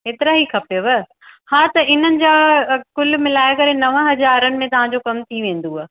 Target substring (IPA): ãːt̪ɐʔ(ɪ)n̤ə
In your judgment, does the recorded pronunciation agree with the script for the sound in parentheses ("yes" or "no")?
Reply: yes